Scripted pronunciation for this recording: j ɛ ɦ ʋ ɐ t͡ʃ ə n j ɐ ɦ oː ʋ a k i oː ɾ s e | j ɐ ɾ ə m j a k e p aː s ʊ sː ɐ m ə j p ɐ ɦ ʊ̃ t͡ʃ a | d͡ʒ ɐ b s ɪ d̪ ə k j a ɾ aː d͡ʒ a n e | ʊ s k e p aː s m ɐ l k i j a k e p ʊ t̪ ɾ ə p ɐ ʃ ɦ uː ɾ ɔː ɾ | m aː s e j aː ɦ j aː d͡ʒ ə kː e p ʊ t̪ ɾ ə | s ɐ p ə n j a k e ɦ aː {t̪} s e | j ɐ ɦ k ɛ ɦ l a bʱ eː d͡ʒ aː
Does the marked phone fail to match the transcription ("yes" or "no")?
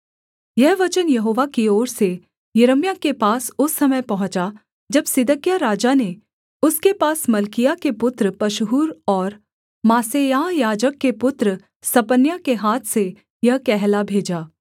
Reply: yes